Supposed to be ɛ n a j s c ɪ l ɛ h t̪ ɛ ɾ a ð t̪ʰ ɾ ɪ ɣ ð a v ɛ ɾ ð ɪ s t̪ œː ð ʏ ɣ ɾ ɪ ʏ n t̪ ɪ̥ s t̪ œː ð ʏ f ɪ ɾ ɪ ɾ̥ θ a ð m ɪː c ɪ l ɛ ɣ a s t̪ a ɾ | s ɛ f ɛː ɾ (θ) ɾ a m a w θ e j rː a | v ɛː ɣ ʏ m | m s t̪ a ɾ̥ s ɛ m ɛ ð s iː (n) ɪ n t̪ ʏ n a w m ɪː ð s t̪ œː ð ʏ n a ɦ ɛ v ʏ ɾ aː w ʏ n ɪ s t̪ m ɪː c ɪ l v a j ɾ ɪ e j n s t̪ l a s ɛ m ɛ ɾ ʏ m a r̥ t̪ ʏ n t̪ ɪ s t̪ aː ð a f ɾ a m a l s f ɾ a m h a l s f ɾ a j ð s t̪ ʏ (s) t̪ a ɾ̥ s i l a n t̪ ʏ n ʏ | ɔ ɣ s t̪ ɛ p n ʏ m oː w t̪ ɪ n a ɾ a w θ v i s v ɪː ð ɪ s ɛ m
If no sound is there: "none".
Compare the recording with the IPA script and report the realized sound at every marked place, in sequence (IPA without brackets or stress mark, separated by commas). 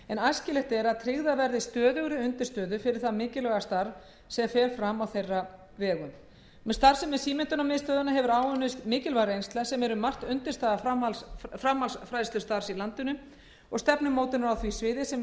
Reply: f, m, s